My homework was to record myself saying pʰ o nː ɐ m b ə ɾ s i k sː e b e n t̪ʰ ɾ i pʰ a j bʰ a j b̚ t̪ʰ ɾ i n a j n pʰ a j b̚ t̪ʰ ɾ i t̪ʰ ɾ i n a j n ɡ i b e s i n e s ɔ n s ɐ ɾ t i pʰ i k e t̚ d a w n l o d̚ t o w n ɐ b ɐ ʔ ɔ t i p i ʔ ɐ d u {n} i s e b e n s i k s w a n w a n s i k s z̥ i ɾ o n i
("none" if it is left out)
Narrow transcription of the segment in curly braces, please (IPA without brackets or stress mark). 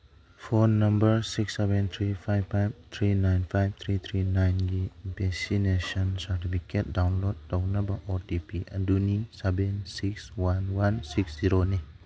n